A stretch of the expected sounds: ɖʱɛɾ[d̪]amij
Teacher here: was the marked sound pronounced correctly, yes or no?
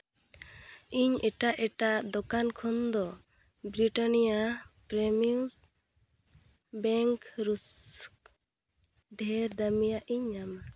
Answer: yes